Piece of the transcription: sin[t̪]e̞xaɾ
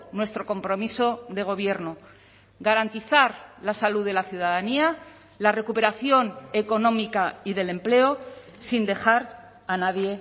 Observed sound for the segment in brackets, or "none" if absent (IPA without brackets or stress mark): d̪